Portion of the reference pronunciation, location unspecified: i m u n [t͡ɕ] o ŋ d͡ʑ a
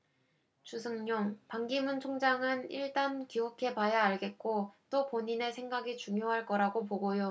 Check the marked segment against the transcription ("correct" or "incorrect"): incorrect